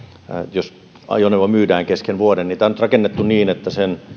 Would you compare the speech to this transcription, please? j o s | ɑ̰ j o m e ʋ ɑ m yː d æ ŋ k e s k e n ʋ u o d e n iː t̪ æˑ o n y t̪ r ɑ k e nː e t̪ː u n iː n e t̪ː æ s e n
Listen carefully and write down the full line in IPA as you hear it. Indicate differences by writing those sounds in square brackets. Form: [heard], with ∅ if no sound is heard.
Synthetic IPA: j o s | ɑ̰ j o [n] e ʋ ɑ m yː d [æː] ŋ k e s k e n ʋ u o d e n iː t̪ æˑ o n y t̪ r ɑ k e nː e t̪ː u n iː n e t̪ː æ s e n